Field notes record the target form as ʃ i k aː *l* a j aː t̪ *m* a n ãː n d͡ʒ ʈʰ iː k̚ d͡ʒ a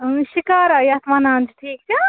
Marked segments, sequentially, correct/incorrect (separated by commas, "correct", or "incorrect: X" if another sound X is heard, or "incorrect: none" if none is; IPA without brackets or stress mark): incorrect: ɾ, correct